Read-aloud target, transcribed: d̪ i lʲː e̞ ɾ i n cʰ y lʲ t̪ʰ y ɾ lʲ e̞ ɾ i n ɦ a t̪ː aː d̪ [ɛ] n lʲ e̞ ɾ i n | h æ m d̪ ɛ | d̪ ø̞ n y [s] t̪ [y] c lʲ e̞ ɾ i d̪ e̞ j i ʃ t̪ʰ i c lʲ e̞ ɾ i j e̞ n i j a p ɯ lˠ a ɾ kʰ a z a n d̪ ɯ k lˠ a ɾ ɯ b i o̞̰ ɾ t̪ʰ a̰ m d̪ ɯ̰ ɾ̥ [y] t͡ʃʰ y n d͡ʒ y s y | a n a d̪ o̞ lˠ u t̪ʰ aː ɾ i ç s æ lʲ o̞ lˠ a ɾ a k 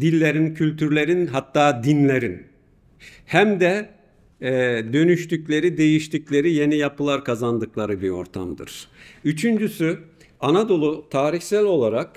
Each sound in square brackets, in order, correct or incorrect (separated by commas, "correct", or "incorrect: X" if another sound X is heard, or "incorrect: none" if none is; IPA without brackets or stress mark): incorrect: i, incorrect: ʃ, correct, correct